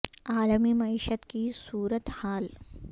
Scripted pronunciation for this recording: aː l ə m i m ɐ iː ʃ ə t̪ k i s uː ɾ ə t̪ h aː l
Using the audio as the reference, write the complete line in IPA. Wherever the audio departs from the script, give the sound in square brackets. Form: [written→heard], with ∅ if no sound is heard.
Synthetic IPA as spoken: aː l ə m i m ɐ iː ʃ ə t̪ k i s uː ɾ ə t̪ h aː l